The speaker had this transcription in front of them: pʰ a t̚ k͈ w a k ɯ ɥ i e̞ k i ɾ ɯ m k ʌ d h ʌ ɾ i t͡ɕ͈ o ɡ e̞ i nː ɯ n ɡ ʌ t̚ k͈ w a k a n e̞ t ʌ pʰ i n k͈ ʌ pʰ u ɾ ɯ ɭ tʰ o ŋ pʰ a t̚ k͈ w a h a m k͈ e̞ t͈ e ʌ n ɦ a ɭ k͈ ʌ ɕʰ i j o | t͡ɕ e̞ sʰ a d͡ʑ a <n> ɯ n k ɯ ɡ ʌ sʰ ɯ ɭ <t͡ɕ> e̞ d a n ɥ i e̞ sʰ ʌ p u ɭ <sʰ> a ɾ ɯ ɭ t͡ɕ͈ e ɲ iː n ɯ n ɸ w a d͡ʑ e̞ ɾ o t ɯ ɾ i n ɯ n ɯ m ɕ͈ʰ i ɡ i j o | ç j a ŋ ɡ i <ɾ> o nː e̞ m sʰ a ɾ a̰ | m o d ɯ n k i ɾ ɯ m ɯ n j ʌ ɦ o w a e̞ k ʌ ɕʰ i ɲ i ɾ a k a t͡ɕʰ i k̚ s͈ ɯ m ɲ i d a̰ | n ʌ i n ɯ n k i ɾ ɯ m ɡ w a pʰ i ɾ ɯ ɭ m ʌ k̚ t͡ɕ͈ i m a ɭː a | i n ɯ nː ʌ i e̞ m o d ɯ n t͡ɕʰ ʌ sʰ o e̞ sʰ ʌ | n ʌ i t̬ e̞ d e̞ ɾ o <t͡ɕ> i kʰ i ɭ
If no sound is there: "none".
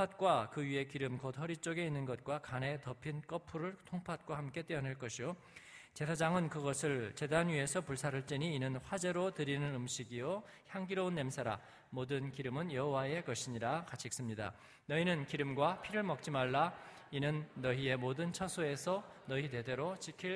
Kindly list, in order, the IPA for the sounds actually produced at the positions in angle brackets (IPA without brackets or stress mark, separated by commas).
ŋ, t͡ɕ, sʰ, ɾ, t͡ɕ